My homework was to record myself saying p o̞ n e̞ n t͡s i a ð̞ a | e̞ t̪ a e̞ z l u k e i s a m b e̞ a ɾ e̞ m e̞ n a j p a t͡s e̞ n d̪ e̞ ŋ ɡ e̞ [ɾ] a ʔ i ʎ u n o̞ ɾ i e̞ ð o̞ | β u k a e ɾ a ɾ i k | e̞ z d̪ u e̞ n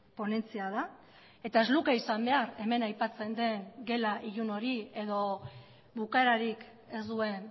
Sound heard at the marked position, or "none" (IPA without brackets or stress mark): l